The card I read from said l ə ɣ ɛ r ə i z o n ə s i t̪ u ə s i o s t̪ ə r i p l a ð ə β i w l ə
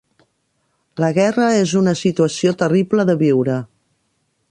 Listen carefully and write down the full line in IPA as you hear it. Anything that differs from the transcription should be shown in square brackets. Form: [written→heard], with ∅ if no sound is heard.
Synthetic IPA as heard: l ə ɣ ɛ r ə [i→e] z [o→u] n ə s i t̪ u ə s i o [s→∅] t̪ ə r i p l [a→ə] ð ə β i w [l→ɾ] ə